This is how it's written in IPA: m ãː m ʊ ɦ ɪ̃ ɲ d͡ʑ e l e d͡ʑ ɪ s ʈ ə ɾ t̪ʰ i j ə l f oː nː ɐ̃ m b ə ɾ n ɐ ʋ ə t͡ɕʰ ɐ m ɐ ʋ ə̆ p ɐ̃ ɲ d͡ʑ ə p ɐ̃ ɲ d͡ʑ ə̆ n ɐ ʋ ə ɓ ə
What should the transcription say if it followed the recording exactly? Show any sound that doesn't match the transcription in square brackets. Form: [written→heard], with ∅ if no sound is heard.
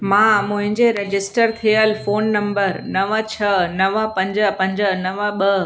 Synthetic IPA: m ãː m [ʊ→ʊ̃] ɦ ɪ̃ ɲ d͡ʑ e [l→ɾ] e d͡ʑ ɪ s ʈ ə ɾ t̪ʰ i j ə l f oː nː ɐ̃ m b ə ɾ n ɐ ʋ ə t͡ɕʰ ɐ [m→n] ɐ ʋ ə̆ p ɐ̃ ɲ d͡ʑ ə p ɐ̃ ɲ d͡ʑ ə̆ n ɐ ʋ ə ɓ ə